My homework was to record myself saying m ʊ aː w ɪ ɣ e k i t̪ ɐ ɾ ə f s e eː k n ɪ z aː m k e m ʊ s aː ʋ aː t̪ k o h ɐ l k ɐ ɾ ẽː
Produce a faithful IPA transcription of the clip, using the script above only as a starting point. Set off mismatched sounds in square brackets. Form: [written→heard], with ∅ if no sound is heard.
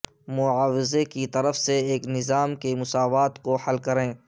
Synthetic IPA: m ʊ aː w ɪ [ɣ→z] e k i t̪ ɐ ɾ ə f s e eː k n ɪ z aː m k e m ʊ s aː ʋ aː t̪ k o h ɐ l k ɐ ɾ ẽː